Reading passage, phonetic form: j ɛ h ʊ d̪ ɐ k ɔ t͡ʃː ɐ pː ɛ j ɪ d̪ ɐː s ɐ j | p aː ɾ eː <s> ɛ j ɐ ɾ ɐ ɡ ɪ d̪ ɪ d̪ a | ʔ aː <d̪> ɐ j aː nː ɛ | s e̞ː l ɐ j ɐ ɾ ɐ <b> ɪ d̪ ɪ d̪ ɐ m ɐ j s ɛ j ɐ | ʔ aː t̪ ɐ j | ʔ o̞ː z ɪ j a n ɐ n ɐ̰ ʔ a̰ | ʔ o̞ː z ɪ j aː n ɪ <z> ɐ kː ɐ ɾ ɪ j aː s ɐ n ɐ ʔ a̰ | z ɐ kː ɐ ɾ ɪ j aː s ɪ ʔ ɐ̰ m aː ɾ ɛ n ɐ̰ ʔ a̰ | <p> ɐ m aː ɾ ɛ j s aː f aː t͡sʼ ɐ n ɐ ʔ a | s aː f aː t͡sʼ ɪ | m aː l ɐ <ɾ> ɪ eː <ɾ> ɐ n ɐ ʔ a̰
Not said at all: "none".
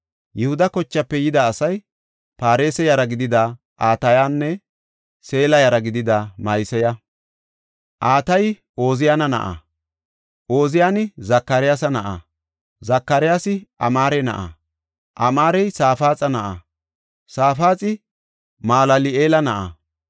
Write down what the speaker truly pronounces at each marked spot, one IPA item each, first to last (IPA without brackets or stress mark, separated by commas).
s, t̪, ɡ, z, ʔ, l, l